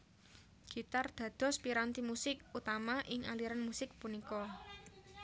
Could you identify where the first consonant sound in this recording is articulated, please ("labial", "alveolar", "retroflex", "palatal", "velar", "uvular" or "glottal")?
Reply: velar